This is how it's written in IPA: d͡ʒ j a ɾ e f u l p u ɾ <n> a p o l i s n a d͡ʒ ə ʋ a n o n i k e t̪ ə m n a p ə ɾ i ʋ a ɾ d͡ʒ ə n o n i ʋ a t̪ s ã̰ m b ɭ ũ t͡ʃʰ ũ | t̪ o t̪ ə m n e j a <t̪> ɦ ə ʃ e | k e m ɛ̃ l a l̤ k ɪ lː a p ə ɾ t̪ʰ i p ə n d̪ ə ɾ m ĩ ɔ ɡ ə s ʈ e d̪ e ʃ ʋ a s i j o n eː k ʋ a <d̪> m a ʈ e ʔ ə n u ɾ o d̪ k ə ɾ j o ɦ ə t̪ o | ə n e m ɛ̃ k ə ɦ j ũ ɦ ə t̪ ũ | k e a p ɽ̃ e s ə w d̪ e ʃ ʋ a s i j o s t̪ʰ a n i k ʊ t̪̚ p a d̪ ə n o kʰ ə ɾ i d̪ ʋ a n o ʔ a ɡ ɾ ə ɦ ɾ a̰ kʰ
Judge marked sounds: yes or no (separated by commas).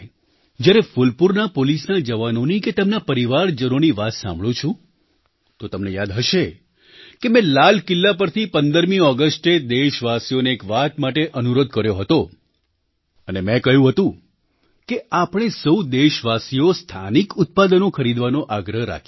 yes, no, no